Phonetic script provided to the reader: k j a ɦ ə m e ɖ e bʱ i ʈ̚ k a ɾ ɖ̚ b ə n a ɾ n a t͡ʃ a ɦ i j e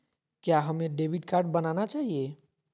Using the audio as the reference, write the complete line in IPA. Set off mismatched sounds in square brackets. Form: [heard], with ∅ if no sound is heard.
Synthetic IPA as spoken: k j a ɦ ə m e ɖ e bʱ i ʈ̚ k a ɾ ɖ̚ b ə n a [∅] n a t͡ʃ a ɦ i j e